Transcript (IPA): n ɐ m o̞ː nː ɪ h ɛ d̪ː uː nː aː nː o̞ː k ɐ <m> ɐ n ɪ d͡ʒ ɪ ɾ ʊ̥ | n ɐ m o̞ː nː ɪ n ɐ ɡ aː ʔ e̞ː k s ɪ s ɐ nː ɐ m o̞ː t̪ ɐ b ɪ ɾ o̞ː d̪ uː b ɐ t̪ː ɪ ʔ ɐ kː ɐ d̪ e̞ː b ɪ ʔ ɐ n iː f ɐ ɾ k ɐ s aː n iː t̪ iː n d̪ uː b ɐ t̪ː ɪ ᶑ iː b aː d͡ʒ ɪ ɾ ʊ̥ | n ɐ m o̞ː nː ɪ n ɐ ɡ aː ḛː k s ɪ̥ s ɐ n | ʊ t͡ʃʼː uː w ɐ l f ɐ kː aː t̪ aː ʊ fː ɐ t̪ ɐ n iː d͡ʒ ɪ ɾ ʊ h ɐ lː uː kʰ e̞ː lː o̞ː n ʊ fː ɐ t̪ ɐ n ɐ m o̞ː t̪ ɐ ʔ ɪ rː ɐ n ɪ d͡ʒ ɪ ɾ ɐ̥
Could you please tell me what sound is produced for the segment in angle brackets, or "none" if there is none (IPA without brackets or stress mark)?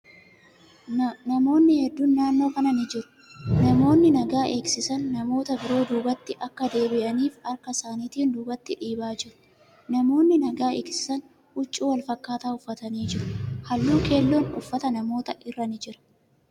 n